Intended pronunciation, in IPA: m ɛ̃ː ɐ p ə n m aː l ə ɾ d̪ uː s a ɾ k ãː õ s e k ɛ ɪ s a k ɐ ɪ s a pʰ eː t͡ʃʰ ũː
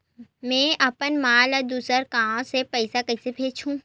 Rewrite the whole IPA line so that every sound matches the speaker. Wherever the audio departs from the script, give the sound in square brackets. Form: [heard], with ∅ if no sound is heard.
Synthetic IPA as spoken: m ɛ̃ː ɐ p ə n m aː l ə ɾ d̪ uː s [ə] ɾ k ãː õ s e [p] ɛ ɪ s a k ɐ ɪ s [e] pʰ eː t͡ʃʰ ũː